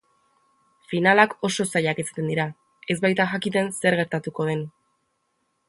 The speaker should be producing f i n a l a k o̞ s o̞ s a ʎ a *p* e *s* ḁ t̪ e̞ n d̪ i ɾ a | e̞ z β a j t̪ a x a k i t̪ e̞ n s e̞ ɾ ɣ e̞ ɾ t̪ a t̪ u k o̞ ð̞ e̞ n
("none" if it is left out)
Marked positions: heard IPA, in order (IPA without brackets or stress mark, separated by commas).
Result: k, s